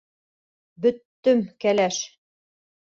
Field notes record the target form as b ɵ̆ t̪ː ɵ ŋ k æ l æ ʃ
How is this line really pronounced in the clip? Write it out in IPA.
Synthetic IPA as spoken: b ɵ̆ t̪ː ɵ m k æ l æ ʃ